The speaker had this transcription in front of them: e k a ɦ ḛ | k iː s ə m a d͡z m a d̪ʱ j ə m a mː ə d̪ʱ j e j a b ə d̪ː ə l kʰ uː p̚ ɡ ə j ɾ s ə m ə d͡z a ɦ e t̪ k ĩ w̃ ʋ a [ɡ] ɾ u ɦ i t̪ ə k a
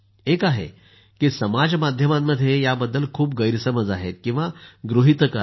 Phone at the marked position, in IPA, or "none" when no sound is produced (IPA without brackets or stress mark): ɡ